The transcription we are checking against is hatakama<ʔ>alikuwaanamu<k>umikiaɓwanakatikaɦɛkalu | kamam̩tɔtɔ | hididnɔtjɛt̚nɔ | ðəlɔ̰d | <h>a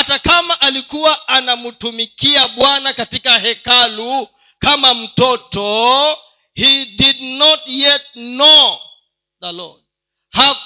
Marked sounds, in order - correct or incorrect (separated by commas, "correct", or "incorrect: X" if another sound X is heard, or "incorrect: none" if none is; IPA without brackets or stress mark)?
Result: correct, incorrect: t, correct